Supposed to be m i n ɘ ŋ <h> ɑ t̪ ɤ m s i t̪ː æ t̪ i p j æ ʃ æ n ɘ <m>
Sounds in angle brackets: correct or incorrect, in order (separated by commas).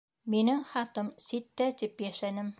incorrect, correct